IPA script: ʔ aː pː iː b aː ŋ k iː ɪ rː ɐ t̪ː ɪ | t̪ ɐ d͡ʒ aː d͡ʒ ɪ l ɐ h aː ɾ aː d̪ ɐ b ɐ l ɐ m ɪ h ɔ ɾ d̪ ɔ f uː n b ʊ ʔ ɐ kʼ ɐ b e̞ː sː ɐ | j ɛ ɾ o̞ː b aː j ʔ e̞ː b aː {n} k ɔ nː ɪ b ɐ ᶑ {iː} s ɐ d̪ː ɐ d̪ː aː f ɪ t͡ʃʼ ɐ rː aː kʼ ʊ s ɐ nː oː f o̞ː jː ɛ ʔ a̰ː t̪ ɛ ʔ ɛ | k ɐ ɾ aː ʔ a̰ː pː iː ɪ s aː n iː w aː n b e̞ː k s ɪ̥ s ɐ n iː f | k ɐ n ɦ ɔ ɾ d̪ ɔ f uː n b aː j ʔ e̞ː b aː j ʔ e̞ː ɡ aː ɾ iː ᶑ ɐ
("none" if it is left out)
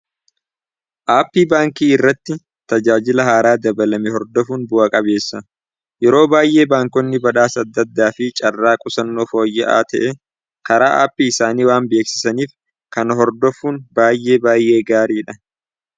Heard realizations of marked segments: ŋ, aː

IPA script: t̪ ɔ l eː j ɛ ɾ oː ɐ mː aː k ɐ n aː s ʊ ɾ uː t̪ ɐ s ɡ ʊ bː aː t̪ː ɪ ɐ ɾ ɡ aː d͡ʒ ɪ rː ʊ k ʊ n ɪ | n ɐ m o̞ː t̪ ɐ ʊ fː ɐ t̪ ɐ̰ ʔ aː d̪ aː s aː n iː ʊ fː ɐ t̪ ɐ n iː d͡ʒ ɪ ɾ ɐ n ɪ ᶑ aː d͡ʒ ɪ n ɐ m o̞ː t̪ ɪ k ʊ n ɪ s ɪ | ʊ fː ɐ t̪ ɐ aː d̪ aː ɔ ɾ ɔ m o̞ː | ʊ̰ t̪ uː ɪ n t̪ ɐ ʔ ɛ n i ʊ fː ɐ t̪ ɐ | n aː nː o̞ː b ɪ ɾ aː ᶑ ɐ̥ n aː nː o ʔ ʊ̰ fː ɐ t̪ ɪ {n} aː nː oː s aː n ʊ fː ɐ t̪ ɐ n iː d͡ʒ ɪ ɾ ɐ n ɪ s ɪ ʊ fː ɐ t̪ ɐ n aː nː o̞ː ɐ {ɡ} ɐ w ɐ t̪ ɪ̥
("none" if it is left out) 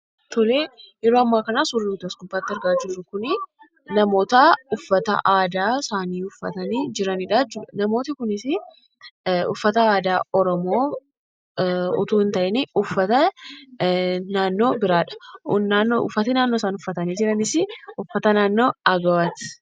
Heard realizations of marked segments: n, ɡ

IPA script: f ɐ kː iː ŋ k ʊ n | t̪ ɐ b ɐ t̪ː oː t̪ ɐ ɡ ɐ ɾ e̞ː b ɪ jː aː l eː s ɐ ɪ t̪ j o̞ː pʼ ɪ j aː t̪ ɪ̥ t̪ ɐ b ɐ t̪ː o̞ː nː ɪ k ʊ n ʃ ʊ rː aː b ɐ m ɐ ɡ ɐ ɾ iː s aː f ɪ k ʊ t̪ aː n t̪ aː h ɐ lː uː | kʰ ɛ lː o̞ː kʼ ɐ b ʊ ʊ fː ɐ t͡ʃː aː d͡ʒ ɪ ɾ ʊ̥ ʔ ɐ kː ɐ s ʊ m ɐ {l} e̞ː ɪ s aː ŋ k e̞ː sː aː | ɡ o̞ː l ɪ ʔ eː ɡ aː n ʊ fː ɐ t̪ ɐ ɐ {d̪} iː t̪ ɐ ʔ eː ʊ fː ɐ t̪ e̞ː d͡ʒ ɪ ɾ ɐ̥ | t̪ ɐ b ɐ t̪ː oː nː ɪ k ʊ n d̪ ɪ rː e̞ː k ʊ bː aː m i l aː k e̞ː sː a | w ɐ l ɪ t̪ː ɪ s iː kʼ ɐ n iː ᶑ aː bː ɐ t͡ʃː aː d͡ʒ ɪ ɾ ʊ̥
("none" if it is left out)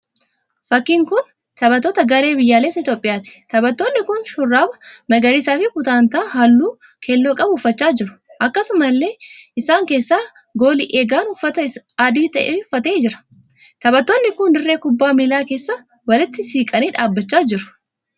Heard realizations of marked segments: lː, d̪

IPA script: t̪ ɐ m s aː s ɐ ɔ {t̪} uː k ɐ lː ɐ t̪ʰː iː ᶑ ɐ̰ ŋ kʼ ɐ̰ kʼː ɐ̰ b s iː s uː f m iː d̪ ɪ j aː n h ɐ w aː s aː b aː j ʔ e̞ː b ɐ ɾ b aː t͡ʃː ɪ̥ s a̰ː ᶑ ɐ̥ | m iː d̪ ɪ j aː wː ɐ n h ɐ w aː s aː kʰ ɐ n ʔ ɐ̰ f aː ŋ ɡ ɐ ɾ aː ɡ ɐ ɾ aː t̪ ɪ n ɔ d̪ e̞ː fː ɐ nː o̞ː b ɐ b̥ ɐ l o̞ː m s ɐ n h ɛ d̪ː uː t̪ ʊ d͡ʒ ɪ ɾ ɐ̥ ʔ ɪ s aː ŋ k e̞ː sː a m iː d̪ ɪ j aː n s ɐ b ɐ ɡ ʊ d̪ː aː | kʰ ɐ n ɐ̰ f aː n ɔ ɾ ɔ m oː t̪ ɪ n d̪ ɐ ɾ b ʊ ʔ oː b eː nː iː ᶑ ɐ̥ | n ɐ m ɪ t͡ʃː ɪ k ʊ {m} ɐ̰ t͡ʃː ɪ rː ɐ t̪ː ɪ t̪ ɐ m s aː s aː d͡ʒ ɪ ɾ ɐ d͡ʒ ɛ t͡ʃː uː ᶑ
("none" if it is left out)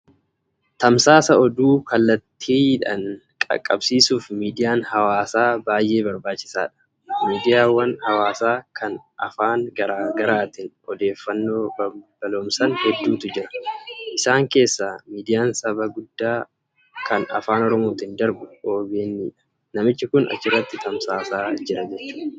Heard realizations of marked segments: d̪, n

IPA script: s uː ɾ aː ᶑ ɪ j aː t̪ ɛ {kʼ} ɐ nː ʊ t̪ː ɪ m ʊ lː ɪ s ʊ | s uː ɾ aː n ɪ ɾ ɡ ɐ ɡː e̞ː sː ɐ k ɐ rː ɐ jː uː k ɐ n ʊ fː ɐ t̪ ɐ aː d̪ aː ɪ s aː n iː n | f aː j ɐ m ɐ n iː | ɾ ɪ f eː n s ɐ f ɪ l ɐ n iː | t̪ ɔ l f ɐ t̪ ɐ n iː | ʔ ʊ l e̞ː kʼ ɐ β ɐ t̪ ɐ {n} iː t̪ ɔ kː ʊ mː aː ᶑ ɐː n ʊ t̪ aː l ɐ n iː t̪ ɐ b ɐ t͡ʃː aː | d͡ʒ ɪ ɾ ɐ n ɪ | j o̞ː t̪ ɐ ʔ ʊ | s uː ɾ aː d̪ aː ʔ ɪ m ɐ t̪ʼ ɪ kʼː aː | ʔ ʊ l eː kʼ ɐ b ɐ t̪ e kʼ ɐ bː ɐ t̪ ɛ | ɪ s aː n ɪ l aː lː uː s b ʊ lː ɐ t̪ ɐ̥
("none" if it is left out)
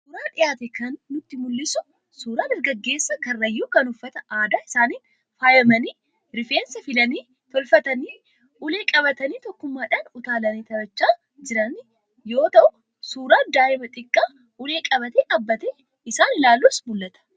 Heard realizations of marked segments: k, n

